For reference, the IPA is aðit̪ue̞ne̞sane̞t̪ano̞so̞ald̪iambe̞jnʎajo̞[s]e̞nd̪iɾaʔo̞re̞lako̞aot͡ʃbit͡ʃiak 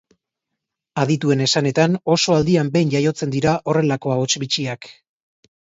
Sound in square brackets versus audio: incorrect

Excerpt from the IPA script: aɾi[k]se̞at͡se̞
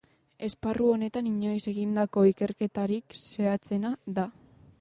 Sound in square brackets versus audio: correct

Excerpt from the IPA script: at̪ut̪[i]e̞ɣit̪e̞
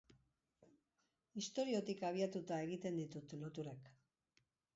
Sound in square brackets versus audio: incorrect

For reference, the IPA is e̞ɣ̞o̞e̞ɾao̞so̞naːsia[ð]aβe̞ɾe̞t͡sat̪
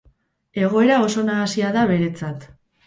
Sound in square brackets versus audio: correct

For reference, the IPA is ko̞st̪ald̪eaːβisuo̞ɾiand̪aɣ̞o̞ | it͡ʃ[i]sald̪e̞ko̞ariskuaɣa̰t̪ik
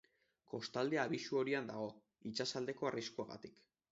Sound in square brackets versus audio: incorrect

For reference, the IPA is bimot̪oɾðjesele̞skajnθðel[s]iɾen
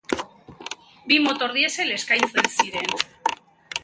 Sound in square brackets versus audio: correct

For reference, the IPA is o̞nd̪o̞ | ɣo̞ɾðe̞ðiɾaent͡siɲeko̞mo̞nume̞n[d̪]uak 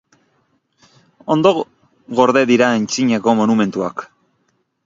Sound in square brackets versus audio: incorrect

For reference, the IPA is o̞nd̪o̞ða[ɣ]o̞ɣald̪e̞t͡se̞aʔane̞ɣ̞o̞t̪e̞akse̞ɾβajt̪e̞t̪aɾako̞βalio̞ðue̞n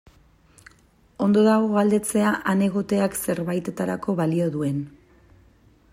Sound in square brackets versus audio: correct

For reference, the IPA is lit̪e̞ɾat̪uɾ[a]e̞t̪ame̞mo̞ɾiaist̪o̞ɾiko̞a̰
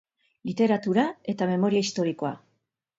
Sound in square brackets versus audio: correct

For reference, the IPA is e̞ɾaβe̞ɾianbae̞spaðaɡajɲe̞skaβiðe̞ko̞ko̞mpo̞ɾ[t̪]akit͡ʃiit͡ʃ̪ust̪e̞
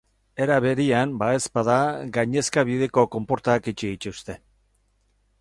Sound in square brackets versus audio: correct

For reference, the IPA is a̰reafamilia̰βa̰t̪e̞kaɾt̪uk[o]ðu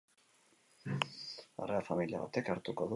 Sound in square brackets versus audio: correct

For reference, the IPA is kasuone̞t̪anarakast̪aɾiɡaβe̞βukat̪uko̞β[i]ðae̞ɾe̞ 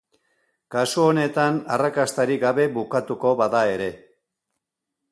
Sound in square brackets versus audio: incorrect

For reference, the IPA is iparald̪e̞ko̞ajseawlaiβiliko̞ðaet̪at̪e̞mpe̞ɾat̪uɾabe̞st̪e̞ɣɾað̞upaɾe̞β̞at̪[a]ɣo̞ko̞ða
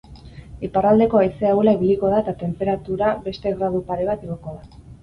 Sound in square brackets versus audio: incorrect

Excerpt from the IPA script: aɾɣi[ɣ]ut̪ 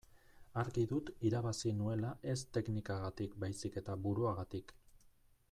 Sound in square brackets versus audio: incorrect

